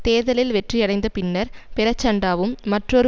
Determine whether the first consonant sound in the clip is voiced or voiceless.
voiceless